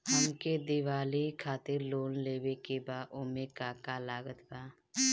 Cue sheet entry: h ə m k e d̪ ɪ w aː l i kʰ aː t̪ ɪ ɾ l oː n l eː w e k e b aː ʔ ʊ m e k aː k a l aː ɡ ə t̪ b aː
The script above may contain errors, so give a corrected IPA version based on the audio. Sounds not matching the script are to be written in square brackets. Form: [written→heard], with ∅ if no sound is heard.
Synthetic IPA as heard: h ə m k e d̪ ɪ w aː l i kʰ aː t̪ ɪ ɾ l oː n l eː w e k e b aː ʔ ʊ m e k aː k a l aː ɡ ə t̪ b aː